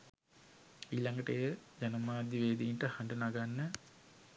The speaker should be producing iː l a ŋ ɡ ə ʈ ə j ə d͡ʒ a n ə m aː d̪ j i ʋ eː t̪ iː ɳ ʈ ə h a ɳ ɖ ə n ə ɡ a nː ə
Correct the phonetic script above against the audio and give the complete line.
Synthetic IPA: iː l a ŋ ɡ ə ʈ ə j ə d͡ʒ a n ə m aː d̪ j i ʋ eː d̪ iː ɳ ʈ ə h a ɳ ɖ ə n a ɡ a nː ə